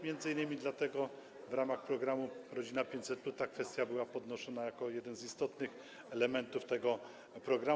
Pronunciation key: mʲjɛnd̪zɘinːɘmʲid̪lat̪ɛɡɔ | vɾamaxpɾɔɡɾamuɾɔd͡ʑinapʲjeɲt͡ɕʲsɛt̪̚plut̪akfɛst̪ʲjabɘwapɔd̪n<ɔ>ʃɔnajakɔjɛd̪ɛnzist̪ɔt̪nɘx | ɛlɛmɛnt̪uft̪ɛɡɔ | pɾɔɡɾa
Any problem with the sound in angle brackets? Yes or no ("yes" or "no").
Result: no